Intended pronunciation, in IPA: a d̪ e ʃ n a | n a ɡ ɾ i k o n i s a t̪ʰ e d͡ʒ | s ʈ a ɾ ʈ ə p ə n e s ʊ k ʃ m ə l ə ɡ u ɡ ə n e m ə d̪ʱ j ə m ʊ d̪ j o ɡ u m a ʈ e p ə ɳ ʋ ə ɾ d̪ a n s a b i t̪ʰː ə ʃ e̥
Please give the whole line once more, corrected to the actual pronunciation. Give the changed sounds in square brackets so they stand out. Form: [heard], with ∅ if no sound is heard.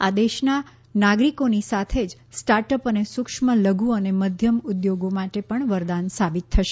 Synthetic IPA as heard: a d̪ e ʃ n a | n a ɡ ɾ i k o n i s a t̪ʰ e d͡ʒ | s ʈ a ɾ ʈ ə p ə n e s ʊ k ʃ m ə l ə ɡ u [∅] ə n e m ə d̪ʱ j ə m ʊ d̪ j o ɡ [o] m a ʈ e p ə ɳ ʋ ə ɾ d̪ a n s a b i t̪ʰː ə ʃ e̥